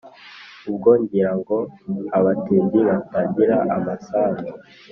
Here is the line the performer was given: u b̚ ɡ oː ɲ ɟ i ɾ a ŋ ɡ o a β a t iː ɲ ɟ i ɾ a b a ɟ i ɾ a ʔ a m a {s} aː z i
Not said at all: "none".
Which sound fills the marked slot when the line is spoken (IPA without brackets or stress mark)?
s